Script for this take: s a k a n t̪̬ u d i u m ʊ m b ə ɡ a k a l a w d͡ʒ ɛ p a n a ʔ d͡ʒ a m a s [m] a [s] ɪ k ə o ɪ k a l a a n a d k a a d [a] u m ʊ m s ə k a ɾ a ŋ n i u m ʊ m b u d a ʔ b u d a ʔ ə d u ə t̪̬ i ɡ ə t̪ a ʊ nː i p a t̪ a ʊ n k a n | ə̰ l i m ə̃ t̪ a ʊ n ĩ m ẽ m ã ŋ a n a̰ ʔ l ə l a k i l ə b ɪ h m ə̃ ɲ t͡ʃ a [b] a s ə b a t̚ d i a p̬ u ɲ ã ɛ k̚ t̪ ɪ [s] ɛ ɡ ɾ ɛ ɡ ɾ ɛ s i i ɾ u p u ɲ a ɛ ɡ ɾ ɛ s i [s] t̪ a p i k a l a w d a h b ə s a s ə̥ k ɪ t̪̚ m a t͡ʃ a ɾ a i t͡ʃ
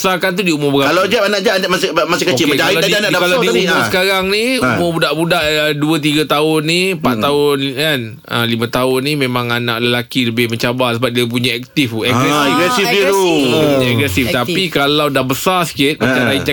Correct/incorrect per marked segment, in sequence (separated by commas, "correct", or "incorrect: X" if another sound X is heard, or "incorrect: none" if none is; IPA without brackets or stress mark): correct, correct, incorrect: i, correct, incorrect: f, incorrect: f